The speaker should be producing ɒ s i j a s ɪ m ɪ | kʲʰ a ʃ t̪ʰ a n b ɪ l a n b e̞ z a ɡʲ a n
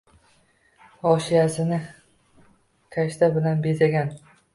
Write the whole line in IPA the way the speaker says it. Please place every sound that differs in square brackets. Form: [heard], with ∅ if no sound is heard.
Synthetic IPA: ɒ [ʃ] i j a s ɪ [n] ɪ | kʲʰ a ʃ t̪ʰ a [∅] b ɪ l a n b e̞ z a ɡʲ a n